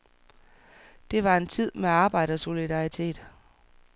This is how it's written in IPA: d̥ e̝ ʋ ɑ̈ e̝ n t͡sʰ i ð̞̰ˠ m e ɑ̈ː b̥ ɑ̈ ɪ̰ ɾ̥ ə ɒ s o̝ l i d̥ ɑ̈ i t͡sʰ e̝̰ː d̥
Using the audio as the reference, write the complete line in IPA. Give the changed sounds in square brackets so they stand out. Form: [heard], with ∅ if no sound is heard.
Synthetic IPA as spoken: d̥ e̝ ʋ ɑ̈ e̝ n t͡sʰ i ð̞̰ˠ m e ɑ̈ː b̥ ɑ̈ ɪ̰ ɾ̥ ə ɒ s o̝ l i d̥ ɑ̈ i t͡sʰ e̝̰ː d̥